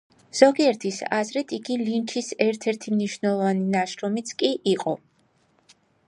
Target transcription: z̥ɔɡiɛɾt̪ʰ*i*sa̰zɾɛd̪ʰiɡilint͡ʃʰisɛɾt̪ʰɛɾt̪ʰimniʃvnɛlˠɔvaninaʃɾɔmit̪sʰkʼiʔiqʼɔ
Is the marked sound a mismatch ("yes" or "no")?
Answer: no